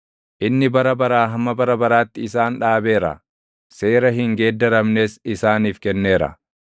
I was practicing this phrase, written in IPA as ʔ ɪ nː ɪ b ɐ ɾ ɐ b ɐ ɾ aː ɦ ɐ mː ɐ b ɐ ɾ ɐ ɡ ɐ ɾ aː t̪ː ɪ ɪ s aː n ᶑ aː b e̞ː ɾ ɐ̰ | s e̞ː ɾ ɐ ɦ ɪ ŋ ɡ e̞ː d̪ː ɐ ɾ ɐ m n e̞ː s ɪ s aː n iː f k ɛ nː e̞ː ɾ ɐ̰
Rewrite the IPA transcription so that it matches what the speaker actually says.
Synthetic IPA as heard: ʔ ɪ nː ɪ b ɐ ɾ ɐ b ɐ ɾ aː ɦ ɐ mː ɐ b ɐ ɾ ɐ b ɐ ɾ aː t̪ː ɪ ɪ s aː n ᶑ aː b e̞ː ɾ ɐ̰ | s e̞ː ɾ ɐ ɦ ɪ ŋ ɡ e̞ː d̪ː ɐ ɾ ɐ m n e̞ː s ɪ s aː n iː f k ɛ nː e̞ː ɾ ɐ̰